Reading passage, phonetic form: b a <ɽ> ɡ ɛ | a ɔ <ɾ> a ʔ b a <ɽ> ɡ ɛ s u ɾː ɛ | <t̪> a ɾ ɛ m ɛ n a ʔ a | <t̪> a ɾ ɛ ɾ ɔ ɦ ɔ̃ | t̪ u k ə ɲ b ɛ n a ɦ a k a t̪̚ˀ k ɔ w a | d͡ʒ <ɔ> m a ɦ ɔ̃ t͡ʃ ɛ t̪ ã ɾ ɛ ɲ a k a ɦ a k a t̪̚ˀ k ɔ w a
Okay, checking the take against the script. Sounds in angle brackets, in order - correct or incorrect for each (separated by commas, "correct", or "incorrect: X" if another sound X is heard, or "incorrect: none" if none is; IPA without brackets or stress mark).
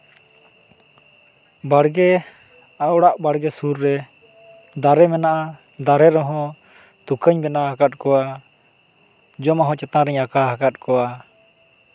correct, incorrect: ɽ, correct, incorrect: d̪, incorrect: d̪, correct